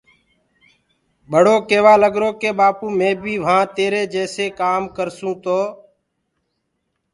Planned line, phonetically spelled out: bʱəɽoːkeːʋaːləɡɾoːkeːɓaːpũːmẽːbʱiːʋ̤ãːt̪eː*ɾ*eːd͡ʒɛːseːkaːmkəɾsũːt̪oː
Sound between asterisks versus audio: correct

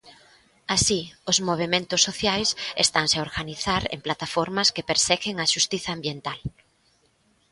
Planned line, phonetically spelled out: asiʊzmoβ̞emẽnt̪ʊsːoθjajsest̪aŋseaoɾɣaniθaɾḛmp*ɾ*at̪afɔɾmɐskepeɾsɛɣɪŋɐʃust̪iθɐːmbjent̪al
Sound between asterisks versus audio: incorrect: l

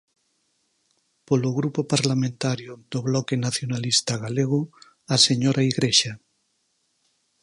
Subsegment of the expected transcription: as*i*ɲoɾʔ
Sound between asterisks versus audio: incorrect: e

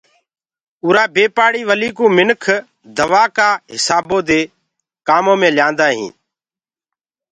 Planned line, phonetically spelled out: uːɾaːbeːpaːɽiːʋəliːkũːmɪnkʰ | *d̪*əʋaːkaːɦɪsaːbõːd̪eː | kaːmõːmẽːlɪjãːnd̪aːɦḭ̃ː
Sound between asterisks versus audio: correct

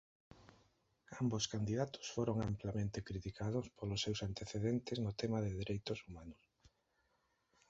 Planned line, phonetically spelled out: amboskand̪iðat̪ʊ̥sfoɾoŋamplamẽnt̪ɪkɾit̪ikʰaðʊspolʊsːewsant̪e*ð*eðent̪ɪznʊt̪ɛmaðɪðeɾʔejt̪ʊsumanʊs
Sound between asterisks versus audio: incorrect: θ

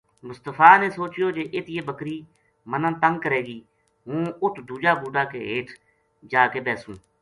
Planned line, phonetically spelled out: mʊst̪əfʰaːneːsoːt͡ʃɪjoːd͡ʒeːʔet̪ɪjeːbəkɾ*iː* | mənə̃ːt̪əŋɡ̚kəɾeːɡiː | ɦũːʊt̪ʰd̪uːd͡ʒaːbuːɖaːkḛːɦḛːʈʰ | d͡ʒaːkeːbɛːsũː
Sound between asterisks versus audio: correct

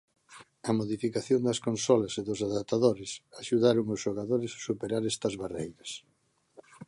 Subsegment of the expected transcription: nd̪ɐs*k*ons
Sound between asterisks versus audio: correct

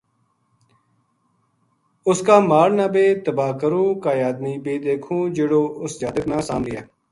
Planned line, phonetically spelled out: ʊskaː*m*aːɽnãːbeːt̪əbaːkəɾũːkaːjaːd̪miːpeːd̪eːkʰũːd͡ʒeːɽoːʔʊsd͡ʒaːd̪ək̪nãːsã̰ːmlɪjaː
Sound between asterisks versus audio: correct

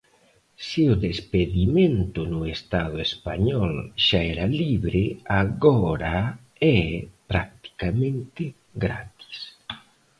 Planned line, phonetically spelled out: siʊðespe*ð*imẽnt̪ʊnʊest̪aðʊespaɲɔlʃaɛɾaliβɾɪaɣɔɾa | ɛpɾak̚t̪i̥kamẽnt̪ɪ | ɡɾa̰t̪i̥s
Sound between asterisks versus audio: correct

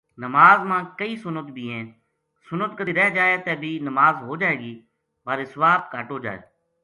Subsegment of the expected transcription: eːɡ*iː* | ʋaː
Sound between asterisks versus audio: correct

